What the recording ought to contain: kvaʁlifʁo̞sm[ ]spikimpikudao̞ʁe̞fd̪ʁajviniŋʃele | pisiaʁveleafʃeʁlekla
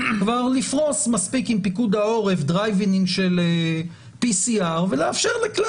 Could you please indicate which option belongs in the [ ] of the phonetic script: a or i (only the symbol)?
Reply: a